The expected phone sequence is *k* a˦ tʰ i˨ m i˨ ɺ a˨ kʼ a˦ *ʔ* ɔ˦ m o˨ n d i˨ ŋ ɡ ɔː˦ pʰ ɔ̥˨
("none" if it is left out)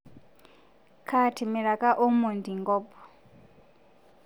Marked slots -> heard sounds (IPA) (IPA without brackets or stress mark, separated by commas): kʰ, ʔ